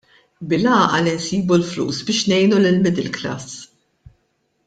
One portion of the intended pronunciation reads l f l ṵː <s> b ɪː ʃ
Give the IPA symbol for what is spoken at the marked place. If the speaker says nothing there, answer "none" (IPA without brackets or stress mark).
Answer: s